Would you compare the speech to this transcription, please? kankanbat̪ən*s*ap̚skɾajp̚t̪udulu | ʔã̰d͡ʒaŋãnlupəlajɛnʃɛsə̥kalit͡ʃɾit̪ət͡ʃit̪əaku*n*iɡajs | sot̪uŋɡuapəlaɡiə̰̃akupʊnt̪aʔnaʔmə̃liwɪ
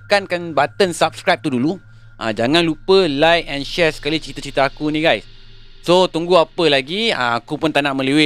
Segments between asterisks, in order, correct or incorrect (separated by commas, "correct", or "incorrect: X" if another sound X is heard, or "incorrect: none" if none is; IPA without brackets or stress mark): correct, correct